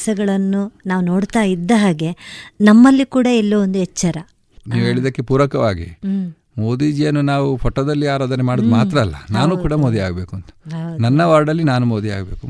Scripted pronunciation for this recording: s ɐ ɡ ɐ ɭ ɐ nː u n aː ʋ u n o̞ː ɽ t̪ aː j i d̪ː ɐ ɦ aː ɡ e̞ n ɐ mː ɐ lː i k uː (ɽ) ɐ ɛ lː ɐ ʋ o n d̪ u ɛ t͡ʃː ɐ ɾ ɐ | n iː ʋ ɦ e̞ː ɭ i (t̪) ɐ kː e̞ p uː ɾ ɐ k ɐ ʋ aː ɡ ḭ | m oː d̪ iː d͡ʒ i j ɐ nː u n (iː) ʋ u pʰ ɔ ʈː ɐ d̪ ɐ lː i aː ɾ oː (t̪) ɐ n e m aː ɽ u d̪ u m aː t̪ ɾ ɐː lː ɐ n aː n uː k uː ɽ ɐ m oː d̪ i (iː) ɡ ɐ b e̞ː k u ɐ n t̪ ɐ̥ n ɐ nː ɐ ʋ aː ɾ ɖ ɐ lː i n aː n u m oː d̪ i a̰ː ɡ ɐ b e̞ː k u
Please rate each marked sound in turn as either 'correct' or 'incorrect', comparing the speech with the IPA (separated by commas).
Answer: correct, incorrect, incorrect, incorrect, incorrect